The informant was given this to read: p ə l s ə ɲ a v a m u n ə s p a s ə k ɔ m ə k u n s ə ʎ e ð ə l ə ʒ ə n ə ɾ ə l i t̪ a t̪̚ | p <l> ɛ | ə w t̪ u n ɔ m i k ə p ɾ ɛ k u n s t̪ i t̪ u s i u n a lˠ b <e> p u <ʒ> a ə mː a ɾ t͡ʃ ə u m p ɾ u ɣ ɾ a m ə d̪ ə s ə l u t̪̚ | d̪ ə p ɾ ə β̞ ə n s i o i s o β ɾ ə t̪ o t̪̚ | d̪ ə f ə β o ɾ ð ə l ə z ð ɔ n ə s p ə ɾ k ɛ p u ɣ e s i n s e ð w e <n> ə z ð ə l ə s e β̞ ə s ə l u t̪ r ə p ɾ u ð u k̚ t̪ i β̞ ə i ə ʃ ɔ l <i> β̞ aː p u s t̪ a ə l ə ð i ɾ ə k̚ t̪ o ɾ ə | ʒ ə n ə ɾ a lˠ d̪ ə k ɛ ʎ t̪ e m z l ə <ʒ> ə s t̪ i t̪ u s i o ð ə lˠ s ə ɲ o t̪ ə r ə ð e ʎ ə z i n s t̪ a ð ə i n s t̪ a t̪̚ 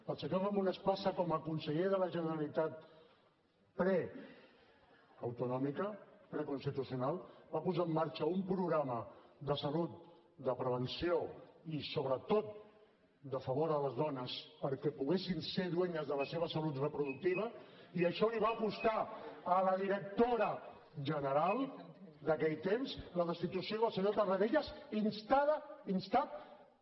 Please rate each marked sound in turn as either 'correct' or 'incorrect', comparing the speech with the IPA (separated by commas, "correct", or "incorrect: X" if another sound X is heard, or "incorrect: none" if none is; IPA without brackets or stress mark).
incorrect: ɾ, incorrect: a, incorrect: z, incorrect: ɲ, correct, incorrect: ð